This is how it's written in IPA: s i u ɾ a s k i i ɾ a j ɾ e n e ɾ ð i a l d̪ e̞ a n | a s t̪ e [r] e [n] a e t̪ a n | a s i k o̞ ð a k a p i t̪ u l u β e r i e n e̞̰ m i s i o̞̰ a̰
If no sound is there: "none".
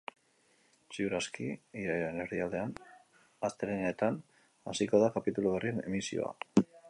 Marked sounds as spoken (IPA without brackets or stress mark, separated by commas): ɾ, n